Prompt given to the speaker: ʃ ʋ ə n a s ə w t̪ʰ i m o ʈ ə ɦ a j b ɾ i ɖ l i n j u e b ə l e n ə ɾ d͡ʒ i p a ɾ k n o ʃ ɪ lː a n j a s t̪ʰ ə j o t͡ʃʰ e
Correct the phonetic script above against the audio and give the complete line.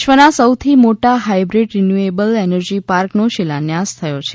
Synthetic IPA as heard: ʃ ʋ ə n a s ə w t̪ʰ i m o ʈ a ɦ a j b ɾ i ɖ ɾ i n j u e b ə l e n ə ɾ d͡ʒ i p a ɾ k n o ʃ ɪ l a n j a s t̪ʰ ə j o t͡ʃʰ e

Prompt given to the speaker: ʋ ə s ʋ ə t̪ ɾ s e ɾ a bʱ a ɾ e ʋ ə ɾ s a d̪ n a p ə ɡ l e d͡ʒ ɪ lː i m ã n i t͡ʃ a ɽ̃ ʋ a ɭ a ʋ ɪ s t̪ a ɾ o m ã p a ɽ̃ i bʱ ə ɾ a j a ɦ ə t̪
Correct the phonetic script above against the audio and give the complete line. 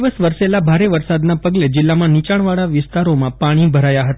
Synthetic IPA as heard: ʋ ə s ʋ ə ɾ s e l a bʱ a ɾ e ʋ ə ɾ s a d̪ n a p ə ɡ l e d͡ʒ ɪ lː a m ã n i t͡ʃ a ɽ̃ ʋ a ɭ a ʋ ɪ s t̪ a ɾ o m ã p a ɽ̃ i bʱ ə ɾ a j a ɦ ə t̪

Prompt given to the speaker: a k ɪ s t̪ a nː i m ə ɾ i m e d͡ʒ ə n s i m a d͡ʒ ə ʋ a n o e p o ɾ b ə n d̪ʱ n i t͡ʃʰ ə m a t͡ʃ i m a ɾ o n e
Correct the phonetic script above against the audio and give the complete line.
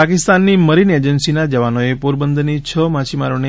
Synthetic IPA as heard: a k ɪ s t̪ a nː i m ə ɾ i n e d͡ʒ ə n s i n a d͡ʒ ə ʋ a n o e p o ɾ b ə n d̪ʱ n i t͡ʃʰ ə m a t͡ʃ i m a ɾ o n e

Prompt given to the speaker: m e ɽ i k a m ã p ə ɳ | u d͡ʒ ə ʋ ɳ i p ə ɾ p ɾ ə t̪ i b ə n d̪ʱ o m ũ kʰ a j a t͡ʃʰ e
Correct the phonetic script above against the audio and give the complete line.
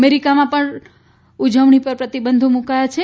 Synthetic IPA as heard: m e ɾ i k a m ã p ə ɳ | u d͡ʒ ə ʋ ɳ i p ə ɾ p ɾ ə t̪ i b ə n d̪ʱ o m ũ k a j a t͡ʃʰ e

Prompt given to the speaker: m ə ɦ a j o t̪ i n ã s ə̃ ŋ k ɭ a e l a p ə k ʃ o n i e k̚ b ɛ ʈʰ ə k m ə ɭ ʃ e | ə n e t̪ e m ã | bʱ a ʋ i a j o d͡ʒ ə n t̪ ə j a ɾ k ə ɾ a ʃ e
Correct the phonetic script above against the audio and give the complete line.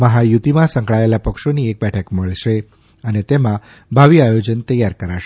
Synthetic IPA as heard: m ə ɦ a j u t̪ i m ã s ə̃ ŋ k ɭ a e l a p ə k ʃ o n i e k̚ b ɛ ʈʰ ə k m ə ɭ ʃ e | ə n e t̪ e m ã | bʱ a ʋ i a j o d͡ʒ ə n t̪ ə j a ɾ k ə ɾ a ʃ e

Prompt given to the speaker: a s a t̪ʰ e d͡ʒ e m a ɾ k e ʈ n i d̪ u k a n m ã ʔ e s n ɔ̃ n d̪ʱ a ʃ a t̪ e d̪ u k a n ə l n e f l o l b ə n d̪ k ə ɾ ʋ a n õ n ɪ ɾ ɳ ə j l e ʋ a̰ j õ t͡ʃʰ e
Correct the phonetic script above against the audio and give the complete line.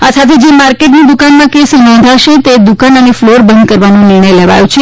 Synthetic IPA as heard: a s a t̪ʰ e d͡ʒ e m a ɾ k e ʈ n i d̪ u k a n m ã k e s n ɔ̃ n d̪ʱ a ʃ e t̪ e d̪ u k a n ə n e f l o ɾ b ə n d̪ k ə ɾ ʋ a n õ n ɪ ɾ ɳ ə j l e ʋ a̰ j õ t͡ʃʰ e

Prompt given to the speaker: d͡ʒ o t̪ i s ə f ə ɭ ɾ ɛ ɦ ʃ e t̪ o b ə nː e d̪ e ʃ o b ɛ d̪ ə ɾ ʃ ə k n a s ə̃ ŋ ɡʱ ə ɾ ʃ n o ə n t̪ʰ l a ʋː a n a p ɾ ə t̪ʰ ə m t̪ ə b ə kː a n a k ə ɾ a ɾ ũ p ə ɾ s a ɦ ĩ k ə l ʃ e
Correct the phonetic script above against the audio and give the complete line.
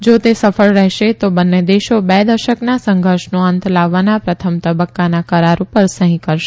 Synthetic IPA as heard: d͡ʒ o t̪ e s ə f ə ɭ ɾ ɛ ɦ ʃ e t̪ o b ə nː e d̪ e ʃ o b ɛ d̪ ə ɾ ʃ ə k n a s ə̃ ŋ ɡʱ ə ɾ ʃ n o ə n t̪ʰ l a ʋː a n a p ɾ ə t̪ʰ ə m t̪ ə b ə kː a n a k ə ɾ a ɾ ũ p ə ɾ s ə ɦ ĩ k ə ɾ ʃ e

